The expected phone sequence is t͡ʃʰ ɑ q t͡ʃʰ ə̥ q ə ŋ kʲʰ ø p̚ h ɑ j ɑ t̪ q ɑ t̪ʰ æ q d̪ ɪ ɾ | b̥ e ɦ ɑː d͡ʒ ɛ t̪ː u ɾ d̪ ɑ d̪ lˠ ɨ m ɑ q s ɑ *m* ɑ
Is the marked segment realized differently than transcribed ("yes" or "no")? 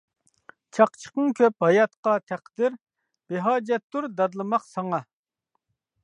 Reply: yes